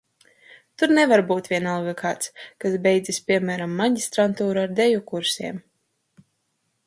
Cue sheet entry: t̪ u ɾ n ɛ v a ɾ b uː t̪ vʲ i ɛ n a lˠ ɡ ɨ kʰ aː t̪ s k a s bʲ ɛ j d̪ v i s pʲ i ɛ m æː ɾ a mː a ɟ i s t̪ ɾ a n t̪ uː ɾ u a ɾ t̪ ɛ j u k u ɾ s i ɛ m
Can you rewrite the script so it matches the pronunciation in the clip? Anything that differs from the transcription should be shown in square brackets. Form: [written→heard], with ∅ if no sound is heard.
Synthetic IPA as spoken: t̪ u ɾ n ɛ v a ɾ b uː t̪ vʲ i ɛ n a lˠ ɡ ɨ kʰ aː t̪ s k a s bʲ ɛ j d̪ [v→z] i s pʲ i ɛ m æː ɾ a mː a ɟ i s t̪ ɾ a n t̪ uː ɾ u a ɾ [t̪→d̪] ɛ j u k u ɾ s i ɛ m

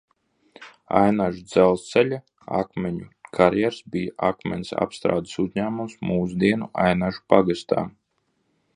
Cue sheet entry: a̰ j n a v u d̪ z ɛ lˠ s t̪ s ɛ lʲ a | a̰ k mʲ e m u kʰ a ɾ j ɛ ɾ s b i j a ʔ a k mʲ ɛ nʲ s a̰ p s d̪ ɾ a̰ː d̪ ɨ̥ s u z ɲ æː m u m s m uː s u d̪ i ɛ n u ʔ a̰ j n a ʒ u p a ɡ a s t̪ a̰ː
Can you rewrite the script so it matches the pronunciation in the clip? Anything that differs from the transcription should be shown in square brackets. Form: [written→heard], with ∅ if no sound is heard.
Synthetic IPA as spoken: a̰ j n a [v→ʒ] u d̪ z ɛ lˠ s t̪ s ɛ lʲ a | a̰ k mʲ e [m→ɲ] u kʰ a ɾ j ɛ ɾ s b i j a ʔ a k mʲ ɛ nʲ s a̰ p s [d̪→t̪] ɾ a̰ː d̪ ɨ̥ s u z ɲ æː m u m s m uː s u d̪ i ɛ n u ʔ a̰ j n a ʒ u p a ɡ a s t̪ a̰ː

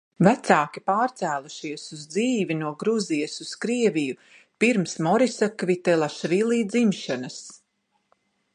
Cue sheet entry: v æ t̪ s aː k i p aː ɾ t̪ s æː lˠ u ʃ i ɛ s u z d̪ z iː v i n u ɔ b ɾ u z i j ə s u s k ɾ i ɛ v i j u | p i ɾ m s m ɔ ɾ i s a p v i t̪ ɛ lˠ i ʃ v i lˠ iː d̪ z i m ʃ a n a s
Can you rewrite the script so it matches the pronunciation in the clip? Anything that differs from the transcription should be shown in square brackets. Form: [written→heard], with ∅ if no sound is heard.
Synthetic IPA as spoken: v æ t̪ s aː k i p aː ɾ t̪ s æː lˠ u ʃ i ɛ s u z d̪ z iː v i n u ɔ [b→ɡ] ɾ u z i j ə s u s k ɾ i ɛ v i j u | p i ɾ m s m ɔ ɾ i s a [p→k] v i t̪ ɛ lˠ [i→a] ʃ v i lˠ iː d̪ z i m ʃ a n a s

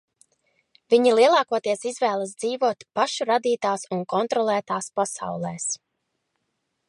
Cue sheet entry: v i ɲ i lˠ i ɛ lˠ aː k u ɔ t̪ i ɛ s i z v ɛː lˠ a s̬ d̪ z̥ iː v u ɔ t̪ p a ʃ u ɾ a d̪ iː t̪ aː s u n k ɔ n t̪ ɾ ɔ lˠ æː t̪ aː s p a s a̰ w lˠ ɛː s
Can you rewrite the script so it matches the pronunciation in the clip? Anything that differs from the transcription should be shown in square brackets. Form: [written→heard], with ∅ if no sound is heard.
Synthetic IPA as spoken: v i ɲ i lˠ i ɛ lˠ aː k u ɔ t̪ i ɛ s i z v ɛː lˠ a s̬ d̪ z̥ iː v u ɔ t̪ p a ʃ u ɾ a d̪ iː t̪ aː s u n k ɔ n t̪ ɾ ɔ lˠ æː t̪ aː s p a s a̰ w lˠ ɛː s

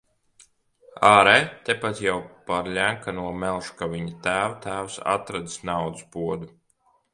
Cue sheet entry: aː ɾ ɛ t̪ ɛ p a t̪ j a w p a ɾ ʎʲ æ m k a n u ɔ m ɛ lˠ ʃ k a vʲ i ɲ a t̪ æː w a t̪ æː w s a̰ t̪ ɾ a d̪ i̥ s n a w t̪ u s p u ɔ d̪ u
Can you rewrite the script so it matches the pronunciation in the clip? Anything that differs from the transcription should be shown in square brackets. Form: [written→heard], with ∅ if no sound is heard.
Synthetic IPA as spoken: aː ɾ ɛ t̪ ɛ p a t̪ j a w p a ɾ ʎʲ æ [m→ŋ] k a n u ɔ m ɛ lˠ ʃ k a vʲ i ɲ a t̪ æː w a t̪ æː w s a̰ t̪ ɾ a d̪ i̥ s n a w [t̪→d̪] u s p u ɔ d̪ u

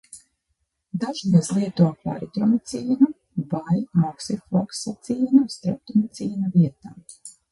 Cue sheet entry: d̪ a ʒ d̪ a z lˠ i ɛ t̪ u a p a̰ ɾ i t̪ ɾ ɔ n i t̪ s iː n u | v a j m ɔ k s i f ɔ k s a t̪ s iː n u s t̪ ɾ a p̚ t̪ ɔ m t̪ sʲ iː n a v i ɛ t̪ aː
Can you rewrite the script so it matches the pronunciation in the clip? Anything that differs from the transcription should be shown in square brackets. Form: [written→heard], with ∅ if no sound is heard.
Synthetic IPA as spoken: d̪ a ʒ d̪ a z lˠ i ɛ t̪ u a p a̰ ɾ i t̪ ɾ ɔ [n→m] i t̪ s iː n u | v a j m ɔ k s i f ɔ k s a t̪ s iː n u s t̪ ɾ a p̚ t̪ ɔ m t̪ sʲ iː n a v i ɛ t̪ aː

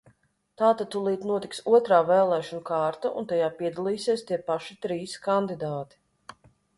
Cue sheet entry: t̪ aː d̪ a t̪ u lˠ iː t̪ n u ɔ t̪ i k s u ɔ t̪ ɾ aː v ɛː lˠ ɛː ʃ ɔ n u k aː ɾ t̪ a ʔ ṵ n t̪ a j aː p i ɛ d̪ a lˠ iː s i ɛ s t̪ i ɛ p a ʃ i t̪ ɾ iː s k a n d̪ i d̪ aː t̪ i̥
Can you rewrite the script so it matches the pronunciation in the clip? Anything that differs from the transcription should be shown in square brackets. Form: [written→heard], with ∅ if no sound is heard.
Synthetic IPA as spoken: t̪ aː [d̪→t̪] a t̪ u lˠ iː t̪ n u ɔ t̪ i k s u ɔ t̪ ɾ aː v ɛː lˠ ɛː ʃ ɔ n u k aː ɾ t̪ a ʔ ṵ n t̪ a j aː p i ɛ d̪ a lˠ iː s i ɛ s t̪ i ɛ p a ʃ i t̪ ɾ iː s k a n d̪ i d̪ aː t̪ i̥

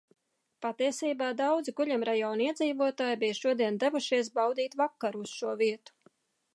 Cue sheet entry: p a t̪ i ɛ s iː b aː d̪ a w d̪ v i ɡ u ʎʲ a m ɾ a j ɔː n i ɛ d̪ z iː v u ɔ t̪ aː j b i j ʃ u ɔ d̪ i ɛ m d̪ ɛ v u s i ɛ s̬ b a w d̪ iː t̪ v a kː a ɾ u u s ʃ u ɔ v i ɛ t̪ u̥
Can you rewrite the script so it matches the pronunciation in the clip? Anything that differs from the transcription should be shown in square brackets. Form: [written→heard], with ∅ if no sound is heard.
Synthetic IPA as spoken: p a t̪ i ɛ s iː b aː d̪ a w d̪ [v→z] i ɡ u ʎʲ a m ɾ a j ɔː n i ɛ d̪ z iː v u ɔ t̪ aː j b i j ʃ u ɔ d̪ i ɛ [m→n] d̪ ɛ v u [s→ʃ] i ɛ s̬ b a w d̪ iː t̪ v a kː a ɾ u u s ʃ u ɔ v i ɛ t̪ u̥

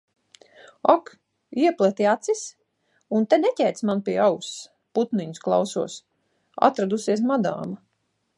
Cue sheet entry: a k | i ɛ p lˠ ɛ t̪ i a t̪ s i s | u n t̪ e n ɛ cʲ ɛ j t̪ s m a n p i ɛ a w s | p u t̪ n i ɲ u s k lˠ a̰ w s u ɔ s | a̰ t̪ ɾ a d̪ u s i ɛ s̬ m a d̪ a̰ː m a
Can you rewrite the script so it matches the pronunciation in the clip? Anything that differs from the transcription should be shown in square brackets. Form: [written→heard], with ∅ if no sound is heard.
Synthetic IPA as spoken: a k | i ɛ p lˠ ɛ t̪ i a t̪ s i s | u n t̪ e n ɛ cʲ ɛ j t̪ s m a n p i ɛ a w s | p u t̪ n i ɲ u s k lˠ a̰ w s u ɔ s | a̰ t̪ ɾ a d̪ u s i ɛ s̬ m a d̪ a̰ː m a

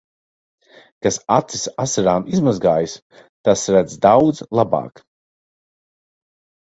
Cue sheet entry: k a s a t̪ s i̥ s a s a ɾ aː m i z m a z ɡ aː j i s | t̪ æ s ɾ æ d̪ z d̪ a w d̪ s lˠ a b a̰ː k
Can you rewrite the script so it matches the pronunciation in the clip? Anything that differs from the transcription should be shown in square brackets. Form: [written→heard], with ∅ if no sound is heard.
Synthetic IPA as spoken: k a s a t̪ s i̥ s a s a ɾ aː m i z m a z ɡ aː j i s | t̪ [æ→a] s ɾ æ d̪ z d̪ a w d̪ [s→z] lˠ a b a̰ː k

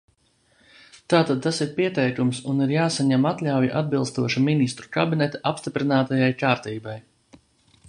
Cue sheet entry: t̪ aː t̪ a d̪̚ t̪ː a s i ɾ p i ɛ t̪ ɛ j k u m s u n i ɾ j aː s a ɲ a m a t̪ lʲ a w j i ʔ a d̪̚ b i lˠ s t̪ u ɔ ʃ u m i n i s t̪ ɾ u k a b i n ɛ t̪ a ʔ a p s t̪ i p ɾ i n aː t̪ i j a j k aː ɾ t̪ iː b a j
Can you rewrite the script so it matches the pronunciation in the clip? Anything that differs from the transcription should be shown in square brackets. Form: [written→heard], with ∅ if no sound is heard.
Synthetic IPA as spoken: t̪ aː t̪ a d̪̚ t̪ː a s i ɾ p i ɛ t̪ ɛ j k u m s u n i ɾ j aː s a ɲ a m a t̪ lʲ a w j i ʔ a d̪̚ b i lˠ s t̪ u ɔ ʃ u m i n i s t̪ ɾ u k a b i n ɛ t̪ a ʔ a p s t̪ i p ɾ i n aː t̪ [i→a] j a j k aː ɾ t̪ iː b a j

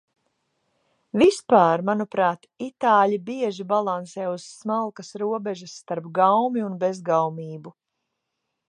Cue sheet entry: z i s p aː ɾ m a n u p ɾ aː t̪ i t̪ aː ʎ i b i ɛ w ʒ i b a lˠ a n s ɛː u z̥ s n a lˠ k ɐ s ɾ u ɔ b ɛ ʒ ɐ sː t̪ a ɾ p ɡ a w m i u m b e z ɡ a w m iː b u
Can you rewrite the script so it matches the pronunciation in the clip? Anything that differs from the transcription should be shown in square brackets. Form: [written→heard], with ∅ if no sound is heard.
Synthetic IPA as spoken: [z→v] i s p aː ɾ m a n u p ɾ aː t̪ i t̪ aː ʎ i b i ɛ [w→∅] ʒ i b a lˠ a n s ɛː u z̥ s [n→m] a lˠ k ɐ s ɾ u ɔ b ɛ ʒ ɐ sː t̪ a ɾ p ɡ a w m i u [m→n] b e z ɡ a w m iː b u

